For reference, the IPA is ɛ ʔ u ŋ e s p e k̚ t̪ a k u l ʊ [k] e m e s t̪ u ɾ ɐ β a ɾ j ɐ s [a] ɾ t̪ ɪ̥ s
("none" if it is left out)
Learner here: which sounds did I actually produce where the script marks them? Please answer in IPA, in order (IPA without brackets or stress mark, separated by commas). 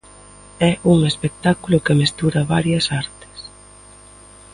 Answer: k, a